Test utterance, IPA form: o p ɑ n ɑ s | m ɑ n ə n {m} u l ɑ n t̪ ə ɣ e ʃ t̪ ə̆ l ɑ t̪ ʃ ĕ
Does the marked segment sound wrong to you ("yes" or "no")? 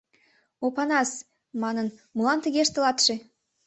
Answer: no